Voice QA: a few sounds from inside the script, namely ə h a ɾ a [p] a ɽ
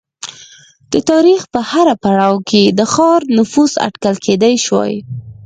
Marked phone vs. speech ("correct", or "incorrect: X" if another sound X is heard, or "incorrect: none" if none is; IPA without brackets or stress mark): correct